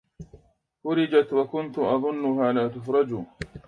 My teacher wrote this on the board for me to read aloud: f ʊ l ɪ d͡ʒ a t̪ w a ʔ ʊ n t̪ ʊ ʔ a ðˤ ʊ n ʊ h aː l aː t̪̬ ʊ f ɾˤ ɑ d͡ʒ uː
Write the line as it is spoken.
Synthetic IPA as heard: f ʊ ɾ ɪ d͡ʒ a t̪ w a k ʊ n t̪ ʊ ʔ ɑ ðˤ ʊ nː ʊ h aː l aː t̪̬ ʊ f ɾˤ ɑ d͡ʒ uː

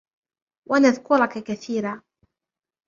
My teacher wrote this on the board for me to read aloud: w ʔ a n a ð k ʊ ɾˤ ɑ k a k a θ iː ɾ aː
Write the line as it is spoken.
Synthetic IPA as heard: w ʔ a n a ð k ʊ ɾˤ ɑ k a k a θ iː ɾ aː

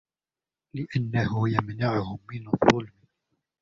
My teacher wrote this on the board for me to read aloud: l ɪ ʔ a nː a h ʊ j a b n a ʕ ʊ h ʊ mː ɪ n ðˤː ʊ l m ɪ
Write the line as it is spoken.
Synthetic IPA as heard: l ɪ ʔ a nː a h ʊ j a m n a ʕ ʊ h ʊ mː ɪ n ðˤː ʊ l m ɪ

